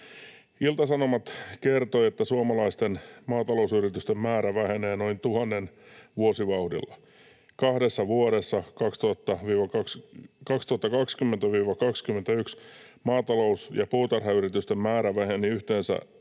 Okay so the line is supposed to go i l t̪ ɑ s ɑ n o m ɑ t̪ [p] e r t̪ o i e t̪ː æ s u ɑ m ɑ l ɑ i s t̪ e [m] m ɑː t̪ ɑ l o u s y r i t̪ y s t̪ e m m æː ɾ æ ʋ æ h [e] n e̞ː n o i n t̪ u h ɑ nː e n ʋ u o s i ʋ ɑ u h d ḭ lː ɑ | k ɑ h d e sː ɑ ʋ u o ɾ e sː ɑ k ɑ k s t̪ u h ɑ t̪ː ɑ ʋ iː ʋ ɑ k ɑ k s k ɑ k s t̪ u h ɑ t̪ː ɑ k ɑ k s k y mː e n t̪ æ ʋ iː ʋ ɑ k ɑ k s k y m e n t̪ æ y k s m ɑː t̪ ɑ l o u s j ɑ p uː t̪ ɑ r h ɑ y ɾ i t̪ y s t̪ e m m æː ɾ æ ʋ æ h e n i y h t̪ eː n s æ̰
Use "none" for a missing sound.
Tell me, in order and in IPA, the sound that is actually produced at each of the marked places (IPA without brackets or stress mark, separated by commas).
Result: k, n, e